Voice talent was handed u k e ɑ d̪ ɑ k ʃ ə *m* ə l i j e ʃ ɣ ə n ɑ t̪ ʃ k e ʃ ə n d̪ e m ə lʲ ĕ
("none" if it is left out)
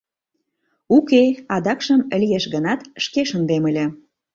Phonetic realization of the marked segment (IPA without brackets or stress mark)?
m